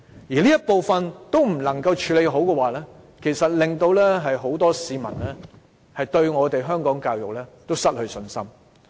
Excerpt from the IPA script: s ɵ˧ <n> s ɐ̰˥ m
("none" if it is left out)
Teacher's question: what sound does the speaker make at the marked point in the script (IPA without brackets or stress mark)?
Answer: n